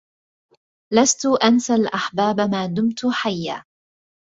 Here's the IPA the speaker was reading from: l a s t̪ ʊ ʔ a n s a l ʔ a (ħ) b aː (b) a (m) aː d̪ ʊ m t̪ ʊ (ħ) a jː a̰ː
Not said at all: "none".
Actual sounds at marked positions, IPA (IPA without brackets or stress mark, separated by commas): ħ, b, m, ħ